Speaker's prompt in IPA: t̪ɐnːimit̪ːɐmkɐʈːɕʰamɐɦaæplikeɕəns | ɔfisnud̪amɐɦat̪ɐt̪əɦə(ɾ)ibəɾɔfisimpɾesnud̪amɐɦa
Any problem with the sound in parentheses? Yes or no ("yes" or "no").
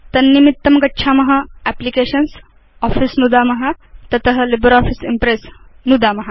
yes